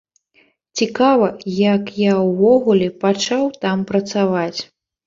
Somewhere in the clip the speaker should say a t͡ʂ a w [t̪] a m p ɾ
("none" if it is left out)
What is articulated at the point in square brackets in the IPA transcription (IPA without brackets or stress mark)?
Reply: t̪